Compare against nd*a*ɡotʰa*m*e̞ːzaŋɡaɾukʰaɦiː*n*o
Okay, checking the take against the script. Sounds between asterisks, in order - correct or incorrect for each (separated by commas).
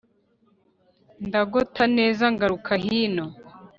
correct, incorrect, correct